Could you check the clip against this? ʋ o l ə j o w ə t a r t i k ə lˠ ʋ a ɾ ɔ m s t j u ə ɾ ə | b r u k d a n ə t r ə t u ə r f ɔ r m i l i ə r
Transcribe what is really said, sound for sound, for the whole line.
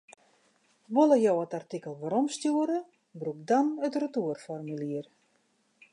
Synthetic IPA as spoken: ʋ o l ə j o w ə t a r t i k ə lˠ ʋ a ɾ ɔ m s t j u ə ɾ ə | b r u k d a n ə t r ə t u ə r f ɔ r m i l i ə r